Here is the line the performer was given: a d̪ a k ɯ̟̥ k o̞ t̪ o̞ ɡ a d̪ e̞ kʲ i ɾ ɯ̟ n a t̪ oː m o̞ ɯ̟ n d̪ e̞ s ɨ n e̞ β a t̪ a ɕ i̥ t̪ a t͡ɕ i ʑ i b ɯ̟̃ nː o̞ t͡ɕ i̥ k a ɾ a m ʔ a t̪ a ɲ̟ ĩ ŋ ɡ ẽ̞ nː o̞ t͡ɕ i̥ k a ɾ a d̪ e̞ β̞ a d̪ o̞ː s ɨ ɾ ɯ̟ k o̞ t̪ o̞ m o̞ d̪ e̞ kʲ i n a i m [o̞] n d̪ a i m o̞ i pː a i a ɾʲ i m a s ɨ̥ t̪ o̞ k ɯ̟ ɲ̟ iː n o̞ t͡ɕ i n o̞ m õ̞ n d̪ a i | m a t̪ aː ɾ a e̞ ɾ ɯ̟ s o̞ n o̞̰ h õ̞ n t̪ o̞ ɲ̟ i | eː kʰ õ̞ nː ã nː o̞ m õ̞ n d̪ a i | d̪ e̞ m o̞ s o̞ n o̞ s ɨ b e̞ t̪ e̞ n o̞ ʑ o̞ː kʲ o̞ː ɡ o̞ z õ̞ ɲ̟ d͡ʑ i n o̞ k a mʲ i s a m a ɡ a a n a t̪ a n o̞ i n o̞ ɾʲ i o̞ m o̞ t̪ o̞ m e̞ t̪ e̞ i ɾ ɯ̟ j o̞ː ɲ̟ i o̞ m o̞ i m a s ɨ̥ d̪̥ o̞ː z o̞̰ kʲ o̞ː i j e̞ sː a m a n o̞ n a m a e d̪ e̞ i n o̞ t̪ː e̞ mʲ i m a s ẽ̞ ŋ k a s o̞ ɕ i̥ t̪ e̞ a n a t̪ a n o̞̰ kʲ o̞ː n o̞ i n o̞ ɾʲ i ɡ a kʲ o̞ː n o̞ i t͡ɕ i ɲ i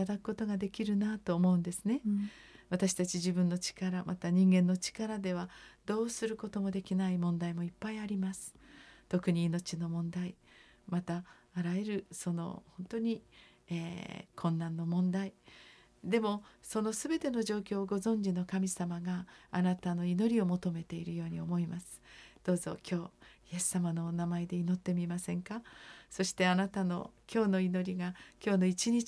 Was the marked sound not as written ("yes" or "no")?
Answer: yes